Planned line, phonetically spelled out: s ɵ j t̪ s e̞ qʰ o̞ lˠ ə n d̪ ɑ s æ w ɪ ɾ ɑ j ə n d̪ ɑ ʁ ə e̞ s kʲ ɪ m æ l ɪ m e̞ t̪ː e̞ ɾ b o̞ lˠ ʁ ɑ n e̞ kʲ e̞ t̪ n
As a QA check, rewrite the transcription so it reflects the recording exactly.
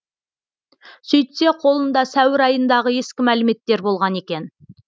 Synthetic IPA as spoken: s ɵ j t̪ s e̞ qʰ o̞ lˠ ə n d̪ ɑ s æ w ɪ ɾ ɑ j ə n d̪ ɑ ʁ ə e̞ s kʲ ɪ m æ l ɪ m e̞ t̪ː e̞ ɾ b o̞ lˠ ʁ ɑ n e̞ kʲ e̞ n